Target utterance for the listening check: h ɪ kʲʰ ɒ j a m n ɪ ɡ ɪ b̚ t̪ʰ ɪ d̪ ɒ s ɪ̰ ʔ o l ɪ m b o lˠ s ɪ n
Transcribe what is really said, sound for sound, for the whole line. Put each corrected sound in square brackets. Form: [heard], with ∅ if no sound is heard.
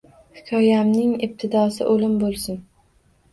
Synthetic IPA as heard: h ɪ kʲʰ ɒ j a m n ɪ [ŋ] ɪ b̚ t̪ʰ ɪ d̪ ɒ s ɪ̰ ʔ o l ɪ m b o lˠ s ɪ n